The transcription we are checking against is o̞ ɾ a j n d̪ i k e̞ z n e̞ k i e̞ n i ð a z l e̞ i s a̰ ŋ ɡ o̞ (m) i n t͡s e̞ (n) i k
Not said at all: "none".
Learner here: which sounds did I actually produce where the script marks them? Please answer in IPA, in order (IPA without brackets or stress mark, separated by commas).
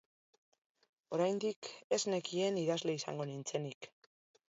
n, n